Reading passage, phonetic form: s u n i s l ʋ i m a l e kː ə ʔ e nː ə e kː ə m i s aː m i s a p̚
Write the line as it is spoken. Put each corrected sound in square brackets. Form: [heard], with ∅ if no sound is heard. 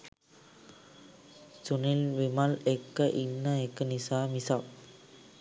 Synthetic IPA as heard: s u n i [∅] l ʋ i m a l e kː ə ʔ [i] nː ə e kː ə [n] i s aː m i s a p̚